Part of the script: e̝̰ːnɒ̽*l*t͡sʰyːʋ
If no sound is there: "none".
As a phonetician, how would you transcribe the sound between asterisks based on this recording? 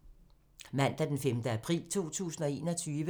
none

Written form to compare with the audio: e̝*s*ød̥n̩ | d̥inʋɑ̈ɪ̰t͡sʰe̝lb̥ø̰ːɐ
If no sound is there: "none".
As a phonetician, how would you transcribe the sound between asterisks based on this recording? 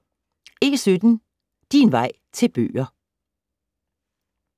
s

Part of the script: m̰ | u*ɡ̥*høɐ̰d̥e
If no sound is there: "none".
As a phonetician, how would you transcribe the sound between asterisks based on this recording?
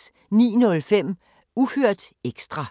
none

